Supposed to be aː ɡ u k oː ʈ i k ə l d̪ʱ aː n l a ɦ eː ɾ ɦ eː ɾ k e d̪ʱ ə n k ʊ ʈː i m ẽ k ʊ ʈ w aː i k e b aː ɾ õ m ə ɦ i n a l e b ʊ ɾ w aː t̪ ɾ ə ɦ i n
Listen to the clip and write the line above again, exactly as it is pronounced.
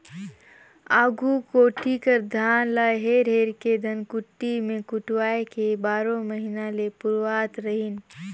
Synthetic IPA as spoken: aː ɡ u k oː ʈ i k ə ɾ d̪ʱ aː n l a ɦ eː ɾ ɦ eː ɾ k e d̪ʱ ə n k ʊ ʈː i m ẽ k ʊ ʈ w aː e k e b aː ɾ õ m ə ɦ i n a l e p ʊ ɾ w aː t̪ ɾ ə ɦ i n